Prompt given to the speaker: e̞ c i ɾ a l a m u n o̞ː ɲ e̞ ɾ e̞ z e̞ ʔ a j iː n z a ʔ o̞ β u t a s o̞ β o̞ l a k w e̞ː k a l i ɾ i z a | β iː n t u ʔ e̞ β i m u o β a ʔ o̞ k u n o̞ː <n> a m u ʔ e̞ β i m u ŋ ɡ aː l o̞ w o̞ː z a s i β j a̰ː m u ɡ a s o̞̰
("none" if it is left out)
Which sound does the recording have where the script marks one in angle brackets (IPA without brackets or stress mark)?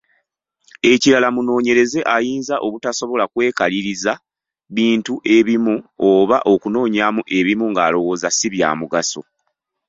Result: ɲ